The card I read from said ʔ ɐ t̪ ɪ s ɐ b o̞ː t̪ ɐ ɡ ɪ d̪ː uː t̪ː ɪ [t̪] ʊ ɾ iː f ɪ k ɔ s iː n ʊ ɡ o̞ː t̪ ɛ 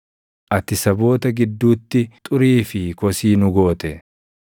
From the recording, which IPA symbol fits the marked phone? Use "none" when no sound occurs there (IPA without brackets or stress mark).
t̪ʼ